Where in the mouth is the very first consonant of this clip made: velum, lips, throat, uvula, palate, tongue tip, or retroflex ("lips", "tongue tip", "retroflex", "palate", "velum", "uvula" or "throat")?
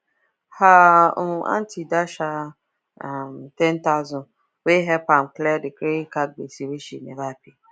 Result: throat